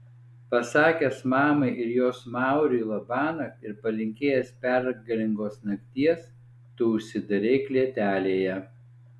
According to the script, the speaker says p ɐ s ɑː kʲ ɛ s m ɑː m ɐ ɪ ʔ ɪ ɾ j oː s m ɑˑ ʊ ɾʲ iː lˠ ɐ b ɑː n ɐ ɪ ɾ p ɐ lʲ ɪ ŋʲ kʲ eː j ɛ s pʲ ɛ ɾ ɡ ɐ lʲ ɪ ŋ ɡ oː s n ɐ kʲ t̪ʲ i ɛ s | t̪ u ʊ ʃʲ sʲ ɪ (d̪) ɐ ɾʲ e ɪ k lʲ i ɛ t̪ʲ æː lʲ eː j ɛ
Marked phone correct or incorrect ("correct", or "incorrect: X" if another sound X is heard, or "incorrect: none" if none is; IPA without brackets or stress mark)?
correct